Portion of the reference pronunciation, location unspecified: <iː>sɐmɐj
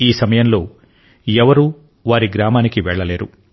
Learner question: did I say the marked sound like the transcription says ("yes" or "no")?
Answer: yes